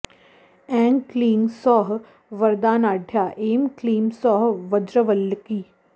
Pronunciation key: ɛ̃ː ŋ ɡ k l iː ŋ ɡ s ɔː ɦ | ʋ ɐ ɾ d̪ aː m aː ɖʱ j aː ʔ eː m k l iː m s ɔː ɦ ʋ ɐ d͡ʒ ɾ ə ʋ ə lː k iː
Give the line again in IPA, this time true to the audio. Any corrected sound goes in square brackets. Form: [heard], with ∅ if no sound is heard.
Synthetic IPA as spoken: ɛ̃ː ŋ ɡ k l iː ŋ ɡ s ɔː ɦ | ʋ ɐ ɾ d̪ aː [n] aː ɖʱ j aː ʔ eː m k l iː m s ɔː ɦ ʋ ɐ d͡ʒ ɾ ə ʋ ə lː k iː